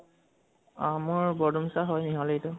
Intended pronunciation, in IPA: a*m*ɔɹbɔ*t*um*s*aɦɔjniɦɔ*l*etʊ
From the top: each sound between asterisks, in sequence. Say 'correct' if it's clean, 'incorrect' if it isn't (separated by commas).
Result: correct, incorrect, correct, correct